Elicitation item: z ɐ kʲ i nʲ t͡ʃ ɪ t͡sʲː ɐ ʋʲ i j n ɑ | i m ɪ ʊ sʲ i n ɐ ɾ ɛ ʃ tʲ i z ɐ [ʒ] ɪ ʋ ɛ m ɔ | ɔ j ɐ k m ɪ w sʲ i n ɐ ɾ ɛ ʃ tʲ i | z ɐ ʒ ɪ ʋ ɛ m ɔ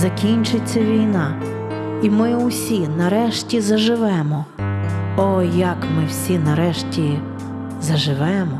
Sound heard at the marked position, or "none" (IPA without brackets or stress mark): ʒ